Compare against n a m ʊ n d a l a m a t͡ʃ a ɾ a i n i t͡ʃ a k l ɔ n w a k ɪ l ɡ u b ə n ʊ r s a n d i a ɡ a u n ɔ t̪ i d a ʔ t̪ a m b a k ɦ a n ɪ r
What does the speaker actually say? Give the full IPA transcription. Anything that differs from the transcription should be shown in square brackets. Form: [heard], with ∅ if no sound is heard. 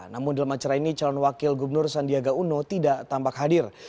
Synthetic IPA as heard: n a m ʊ n d a l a m a t͡ʃ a ɾ a i n i t͡ʃ a [∅] l ɔ n w a k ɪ l ɡ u b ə n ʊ r s a n d i a ɡ a u n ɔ t̪ i d a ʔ t̪ a m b a k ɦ a [d] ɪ r